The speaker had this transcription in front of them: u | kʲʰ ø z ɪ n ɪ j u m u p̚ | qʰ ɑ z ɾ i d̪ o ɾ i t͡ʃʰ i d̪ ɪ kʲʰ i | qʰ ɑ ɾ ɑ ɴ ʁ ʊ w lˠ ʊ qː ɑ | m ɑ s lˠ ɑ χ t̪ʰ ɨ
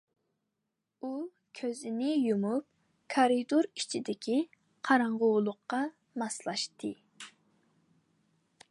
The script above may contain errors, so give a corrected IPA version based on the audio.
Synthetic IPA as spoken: u | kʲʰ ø z ɪ n ɪ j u m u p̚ | kʰ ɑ ɾ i d̪ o ɾ i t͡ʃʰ i d̪ ɪ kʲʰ i | qʰ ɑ ɾ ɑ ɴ ʁ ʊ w lˠ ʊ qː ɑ | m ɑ s lˠ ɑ ʃ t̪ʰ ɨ